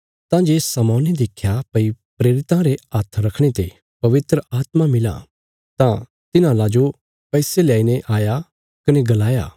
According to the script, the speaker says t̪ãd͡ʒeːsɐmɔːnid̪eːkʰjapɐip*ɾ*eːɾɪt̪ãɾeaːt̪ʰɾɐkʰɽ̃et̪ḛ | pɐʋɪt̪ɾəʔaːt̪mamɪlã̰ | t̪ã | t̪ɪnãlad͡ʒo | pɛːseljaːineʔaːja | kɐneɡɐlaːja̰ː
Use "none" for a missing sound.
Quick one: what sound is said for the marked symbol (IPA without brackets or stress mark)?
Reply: ɾ